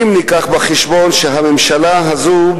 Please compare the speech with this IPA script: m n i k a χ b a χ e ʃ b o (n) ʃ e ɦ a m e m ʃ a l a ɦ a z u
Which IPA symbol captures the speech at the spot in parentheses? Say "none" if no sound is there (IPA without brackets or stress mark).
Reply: n